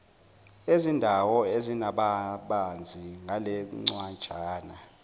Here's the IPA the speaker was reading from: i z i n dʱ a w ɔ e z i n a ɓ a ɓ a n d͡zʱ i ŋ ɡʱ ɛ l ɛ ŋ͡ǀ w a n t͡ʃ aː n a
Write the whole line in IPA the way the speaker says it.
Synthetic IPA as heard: e z i n dʱ a w ɔ e z i n a ɓ a ɓ a n d͡zʱ i ŋ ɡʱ a l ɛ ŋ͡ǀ w a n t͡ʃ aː n a